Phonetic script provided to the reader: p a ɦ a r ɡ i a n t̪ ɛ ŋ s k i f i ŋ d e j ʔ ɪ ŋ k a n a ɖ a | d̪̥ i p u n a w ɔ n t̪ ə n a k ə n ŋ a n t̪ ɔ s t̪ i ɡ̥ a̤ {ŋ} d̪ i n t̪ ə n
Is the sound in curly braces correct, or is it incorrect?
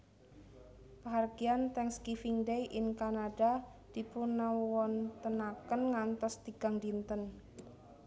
correct